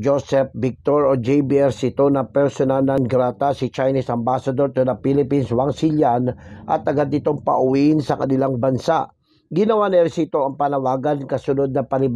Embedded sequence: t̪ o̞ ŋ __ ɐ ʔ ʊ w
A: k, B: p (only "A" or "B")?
B